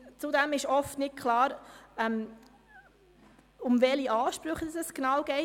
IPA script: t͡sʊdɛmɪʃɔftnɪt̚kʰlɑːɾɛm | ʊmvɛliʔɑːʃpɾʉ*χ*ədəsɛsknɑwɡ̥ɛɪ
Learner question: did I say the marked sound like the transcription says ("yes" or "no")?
yes